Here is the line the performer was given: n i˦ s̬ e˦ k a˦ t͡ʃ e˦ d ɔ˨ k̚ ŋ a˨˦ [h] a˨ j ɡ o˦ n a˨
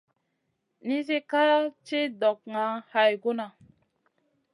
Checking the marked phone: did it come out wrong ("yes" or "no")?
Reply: no